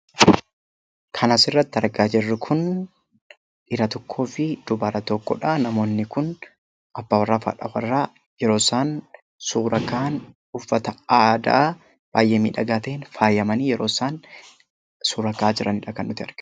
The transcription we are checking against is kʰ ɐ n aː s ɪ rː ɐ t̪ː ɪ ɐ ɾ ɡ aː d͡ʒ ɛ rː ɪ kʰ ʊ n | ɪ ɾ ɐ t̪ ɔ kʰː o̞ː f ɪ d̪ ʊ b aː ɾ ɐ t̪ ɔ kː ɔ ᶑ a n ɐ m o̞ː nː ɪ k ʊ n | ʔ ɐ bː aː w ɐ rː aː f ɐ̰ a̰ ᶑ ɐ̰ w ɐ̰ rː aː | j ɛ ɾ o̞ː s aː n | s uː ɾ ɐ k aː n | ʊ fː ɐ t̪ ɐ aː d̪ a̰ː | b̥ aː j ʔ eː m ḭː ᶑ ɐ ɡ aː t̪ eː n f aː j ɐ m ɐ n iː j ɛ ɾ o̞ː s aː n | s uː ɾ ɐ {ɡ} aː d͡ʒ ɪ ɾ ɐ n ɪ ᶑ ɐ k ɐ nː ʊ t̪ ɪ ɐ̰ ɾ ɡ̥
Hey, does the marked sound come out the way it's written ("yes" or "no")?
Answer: no